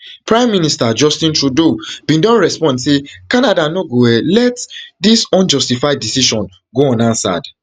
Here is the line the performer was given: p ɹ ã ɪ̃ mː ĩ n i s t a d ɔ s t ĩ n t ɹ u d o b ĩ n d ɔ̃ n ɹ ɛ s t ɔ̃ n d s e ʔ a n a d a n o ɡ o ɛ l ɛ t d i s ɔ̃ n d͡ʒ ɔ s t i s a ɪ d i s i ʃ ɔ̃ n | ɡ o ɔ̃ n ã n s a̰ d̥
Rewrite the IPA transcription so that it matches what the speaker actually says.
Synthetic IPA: p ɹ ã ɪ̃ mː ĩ n i s t a d͡ʒ ɔ s t ĩ n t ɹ u d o b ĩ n d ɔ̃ n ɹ ɛ s p ɔ̃ n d s e k a n a d a n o ɡ o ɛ l ɛ t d i s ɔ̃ n d͡ʒ ɔ s t i f a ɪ d i s i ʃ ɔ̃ n | ɡ o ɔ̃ n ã n s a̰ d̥